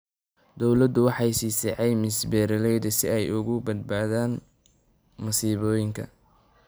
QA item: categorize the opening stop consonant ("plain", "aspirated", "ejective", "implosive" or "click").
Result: plain